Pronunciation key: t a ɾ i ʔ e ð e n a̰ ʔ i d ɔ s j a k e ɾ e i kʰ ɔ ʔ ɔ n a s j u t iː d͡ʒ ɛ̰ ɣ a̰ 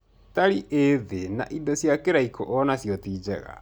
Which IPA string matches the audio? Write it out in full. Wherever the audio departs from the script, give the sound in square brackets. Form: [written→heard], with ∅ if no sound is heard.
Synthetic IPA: t a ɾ i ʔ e ð e n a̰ ʔ i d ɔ s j a k e ɾ [e→a] i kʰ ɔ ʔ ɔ n a s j [u→ɔ] t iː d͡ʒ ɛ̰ ɣ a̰